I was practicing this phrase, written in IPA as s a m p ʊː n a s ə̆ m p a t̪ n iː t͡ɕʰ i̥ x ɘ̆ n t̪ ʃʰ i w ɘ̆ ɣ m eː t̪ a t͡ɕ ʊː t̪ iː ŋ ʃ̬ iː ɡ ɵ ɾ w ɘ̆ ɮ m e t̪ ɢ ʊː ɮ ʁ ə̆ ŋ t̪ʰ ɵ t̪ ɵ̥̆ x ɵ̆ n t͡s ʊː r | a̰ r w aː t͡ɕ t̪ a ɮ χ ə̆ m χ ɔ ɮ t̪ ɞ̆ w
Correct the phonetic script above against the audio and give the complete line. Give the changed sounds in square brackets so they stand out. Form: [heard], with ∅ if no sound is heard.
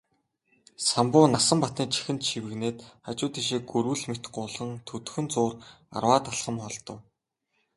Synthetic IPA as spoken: s a m p ʊː n a s ə̆ m p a t̪ n iː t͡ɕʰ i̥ x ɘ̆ n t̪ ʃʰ i w ɘ̆ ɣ [n] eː t̪ a t͡ɕ ʊː t̪ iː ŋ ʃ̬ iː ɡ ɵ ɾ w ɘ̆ ɮ m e t̪ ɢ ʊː ɮ ʁ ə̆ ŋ t̪ʰ ɵ t̪ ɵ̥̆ x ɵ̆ n t͡s ʊː r | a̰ r w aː [∅] t̪ a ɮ χ ə̆ m χ ɔ ɮ t̪ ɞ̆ w